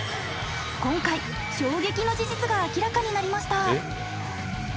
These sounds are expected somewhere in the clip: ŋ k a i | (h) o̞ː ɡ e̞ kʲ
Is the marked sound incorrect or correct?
incorrect